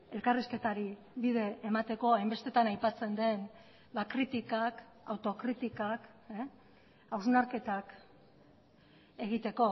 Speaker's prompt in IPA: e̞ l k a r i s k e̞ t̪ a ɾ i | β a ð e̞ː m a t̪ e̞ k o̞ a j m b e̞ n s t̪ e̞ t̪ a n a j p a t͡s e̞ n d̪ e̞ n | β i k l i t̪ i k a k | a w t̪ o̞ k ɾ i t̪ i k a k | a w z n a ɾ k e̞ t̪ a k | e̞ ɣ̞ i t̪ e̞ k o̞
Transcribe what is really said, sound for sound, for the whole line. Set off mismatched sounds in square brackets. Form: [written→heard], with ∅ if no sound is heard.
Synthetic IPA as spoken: e̞ l k a r i s k e̞ t̪ a ɾ i | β [a→i] ð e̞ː m a t̪ e̞ k o̞ a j m b e̞ [n→∅] s t̪ e̞ t̪ a n a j p a t͡s e̞ n d̪ e̞ n | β [i→a] k [l→ɾ] i t̪ i k a k | a w t̪ o̞ k ɾ i t̪ i k a k | a w z n a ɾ k e̞ t̪ a k | e̞ ɣ̞ i t̪ e̞ k o̞